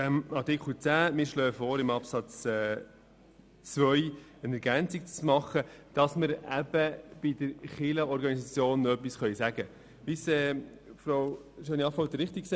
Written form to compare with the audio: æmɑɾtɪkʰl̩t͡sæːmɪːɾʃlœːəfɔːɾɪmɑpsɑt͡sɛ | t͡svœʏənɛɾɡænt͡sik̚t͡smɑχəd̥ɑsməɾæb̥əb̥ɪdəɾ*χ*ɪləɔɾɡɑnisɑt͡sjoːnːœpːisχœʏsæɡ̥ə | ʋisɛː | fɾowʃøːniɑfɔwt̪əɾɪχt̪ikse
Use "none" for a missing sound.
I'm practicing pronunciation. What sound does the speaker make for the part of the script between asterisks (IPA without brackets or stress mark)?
χ